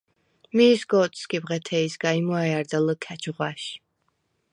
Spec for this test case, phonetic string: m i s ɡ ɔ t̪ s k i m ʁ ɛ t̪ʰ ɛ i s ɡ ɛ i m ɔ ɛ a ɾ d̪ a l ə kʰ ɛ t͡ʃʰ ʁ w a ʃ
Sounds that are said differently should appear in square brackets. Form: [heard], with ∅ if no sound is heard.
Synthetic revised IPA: m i s ɡ ɔ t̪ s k i [b] ʁ ɛ t̪ʰ ɛ i s ɡ [a] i m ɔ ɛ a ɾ d̪ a l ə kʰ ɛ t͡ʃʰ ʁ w a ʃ